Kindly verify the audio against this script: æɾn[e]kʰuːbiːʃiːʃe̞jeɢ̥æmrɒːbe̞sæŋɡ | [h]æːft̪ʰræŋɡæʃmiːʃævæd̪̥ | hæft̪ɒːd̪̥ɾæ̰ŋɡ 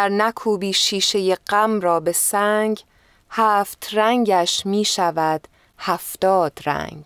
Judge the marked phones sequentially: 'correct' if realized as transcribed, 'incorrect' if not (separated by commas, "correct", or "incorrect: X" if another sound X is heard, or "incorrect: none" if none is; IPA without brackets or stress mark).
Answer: incorrect: æ, correct